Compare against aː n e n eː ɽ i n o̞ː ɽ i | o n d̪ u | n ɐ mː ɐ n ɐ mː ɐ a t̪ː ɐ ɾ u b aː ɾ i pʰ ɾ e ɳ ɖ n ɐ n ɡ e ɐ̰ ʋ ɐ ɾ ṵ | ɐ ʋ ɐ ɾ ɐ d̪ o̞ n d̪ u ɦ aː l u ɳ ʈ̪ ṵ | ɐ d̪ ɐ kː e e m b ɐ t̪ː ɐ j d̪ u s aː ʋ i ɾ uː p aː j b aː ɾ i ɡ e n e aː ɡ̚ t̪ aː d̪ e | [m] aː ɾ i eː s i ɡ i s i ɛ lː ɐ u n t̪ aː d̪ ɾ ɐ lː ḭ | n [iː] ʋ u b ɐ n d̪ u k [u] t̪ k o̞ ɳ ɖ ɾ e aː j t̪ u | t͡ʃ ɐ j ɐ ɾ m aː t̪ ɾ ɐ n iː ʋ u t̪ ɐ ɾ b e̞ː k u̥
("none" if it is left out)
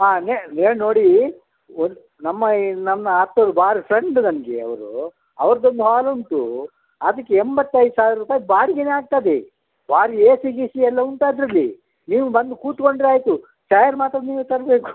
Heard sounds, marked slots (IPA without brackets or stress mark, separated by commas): b, iː, uː